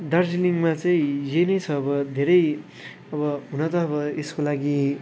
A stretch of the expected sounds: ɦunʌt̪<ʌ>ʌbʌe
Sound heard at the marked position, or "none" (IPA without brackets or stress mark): ʌ